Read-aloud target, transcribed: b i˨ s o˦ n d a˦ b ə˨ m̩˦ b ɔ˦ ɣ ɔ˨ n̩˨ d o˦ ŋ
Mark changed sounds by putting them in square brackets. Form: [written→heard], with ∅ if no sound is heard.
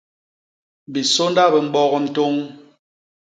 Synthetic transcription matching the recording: b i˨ s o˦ n d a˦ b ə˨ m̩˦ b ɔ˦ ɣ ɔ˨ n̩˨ [d→t] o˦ ŋ